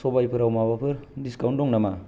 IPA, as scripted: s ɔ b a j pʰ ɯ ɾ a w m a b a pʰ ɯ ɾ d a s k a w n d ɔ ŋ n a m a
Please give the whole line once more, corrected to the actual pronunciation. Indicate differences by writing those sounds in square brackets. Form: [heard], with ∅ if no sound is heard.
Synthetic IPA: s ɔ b a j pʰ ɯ ɾ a w m a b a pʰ ɯ ɾ d [i] s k a w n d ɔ ŋ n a m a